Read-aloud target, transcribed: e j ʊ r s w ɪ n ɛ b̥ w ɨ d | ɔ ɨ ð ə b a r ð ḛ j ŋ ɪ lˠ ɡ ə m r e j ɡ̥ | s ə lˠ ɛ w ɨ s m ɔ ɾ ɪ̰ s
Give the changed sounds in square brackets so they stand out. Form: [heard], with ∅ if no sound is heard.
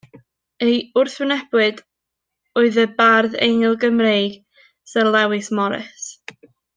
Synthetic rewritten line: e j ʊ r [θ] w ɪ n ɛ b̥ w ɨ d | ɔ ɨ ð ə b a r ð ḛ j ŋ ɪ lˠ ɡ ə m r e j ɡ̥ | s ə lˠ ɛ w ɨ s m ɔ ɾ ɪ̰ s